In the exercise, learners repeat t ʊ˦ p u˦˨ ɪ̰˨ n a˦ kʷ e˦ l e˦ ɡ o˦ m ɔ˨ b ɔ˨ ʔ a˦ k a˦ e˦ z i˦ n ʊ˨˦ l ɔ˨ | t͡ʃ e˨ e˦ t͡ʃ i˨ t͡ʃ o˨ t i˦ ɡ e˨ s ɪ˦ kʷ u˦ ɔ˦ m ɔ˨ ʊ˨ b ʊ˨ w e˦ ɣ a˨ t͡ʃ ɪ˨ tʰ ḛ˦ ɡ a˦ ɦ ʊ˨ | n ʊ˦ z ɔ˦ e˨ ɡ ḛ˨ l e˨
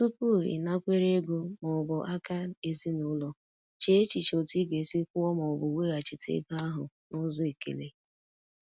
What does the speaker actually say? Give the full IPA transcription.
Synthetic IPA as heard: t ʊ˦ p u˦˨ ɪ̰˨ n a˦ kʷ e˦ ɾ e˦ ɡ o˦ m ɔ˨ b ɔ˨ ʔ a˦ k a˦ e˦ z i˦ n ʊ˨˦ l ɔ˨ | t͡ʃ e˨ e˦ t͡ʃ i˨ t͡ʃ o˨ t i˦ ɡ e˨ s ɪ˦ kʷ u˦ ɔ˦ m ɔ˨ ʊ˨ b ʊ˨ w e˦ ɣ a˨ t͡ʃ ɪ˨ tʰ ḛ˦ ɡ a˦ ɦ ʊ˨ | n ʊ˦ z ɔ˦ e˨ k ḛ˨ l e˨